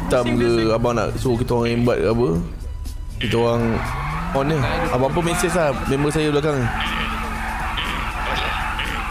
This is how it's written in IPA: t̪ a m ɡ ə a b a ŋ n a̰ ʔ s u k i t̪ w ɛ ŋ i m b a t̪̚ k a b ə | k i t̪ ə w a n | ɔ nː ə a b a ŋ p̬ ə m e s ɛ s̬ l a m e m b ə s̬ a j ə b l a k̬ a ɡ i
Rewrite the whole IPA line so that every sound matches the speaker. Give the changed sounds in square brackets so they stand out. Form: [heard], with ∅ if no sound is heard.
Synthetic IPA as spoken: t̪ a m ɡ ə a b a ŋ n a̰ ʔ s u k i t̪ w [a] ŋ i m b a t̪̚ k a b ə | k i t̪ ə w a [ŋ] | ɔ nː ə a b a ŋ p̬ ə m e s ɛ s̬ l a m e m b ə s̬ a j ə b l a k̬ a [ŋ] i